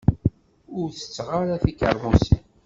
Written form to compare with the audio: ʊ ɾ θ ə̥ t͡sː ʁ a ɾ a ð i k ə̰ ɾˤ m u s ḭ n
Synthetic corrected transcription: ʊ ɾ θ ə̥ t͡sː ʁ a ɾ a θ i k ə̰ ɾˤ m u s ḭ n